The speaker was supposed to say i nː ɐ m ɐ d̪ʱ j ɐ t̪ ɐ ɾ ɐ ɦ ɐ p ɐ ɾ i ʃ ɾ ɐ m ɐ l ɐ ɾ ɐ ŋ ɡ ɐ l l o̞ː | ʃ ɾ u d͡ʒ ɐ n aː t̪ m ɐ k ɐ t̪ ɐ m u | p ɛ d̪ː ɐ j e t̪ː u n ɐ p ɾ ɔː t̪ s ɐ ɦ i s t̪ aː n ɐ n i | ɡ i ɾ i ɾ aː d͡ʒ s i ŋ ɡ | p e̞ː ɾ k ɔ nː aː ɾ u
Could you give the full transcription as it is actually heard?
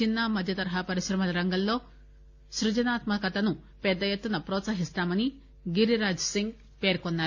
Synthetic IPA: i nː ɐ m ɐ d̪ʱ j ɐ t̪ ɐ ɾ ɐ ɦ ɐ p ɐ ɾ i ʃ ɾ ɐ m ɐ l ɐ ɾ ɐ ŋ ɡ ɐ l l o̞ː | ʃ ɾ u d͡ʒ ɐ n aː t̪ m ɐ k ɐ t̪ ɐ n u | p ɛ d̪ː ɐ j e t̪ː u n ɐ p ɾ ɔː t̪ s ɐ ɦ i s t̪ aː m ɐ n i | ɡ i ɾ i ɾ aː d͡ʒ s i ŋ ɡ | p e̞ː ɾ k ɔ nː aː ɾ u